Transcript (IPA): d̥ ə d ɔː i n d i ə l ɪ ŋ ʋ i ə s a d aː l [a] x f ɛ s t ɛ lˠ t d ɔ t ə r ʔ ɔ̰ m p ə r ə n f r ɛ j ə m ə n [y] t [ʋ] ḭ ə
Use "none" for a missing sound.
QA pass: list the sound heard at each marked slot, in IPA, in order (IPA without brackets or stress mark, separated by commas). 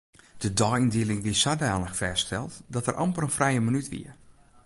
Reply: ə, y, ʋ